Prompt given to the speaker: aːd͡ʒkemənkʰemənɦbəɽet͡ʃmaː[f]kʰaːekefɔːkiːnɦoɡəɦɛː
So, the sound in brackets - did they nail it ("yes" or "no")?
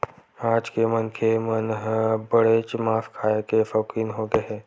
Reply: yes